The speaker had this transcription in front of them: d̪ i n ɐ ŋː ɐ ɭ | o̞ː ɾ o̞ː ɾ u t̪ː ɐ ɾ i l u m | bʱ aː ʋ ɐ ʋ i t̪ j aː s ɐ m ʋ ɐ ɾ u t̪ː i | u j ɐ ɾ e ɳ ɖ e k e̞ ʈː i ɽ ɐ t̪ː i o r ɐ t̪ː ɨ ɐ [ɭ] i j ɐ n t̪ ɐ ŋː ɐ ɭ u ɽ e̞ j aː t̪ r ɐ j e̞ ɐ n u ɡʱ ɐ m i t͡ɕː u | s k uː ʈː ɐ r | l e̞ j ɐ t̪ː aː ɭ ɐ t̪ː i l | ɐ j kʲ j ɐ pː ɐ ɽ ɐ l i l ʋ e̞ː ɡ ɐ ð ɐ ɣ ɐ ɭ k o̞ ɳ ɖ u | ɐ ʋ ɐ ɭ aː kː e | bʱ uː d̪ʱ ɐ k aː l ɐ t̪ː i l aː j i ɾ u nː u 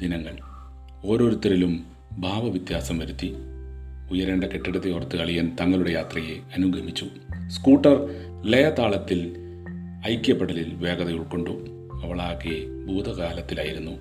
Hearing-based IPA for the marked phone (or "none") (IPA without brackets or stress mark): ɭ